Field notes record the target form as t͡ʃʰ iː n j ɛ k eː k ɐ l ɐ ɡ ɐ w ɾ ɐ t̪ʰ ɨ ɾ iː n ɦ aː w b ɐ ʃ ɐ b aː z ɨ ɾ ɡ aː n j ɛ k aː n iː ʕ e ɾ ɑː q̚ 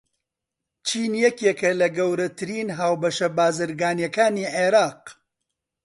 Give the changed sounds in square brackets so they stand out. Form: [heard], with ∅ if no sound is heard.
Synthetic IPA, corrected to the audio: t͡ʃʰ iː n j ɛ k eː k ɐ l ɐ ɡ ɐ w ɾ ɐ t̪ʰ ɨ ɾ iː n ɦ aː w b ɐ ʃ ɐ b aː z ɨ ɾ ɡ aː n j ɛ k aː n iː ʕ e ɾ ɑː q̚